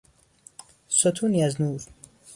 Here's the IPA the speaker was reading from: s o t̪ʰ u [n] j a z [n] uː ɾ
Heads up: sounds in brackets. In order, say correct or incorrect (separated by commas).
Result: correct, correct